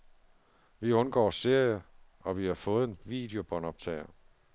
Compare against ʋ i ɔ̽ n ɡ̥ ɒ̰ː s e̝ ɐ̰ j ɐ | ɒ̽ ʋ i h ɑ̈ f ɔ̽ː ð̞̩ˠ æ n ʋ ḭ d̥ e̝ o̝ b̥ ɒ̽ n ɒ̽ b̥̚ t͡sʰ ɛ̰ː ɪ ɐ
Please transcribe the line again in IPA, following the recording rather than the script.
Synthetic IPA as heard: ʋ i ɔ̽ n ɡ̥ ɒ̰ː s e̝ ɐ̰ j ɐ | ɒ̽ ʋ i h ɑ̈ f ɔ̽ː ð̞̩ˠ e n ʋ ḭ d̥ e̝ o̝ b̥ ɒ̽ n ɒ̽ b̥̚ t͡sʰ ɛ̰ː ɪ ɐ